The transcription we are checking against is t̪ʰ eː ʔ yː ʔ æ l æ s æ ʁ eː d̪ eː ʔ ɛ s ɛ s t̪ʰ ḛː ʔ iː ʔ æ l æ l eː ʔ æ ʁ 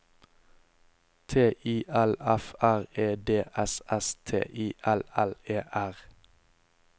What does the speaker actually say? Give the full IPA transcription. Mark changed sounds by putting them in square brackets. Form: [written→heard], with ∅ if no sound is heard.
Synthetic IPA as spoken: t̪ʰ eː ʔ [yː→iː] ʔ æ l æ [s→f] æ ʁ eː d̪ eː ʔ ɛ s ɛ s t̪ʰ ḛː ʔ iː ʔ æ l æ l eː ʔ æ ʁ